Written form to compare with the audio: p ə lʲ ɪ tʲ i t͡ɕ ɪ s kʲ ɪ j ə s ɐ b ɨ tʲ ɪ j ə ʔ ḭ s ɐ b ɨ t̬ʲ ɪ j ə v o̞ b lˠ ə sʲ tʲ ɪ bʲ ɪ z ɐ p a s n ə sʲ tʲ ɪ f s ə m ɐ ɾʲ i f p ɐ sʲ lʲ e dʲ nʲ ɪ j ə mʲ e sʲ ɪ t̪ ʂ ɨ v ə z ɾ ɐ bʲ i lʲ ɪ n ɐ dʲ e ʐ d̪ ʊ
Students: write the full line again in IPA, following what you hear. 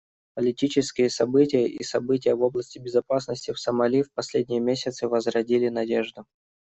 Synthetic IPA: p ə lʲ ɪ tʲ i t͡ɕ ɪ s kʲ ɪ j ə s ɐ b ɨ tʲ ɪ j ə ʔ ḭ s ɐ b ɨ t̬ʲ ɪ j ə v o̞ b lˠ ə sʲ tʲ ɪ bʲ ɪ z ɐ p a s n ə sʲ tʲ ɪ f s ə m ɐ lʲ i f p ɐ sʲ lʲ e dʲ nʲ ɪ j ə mʲ e sʲ ɪ t̪ s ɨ v ə z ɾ ɐ dʲ i lʲ ɪ n ɐ dʲ e ʐ d̪ ʊ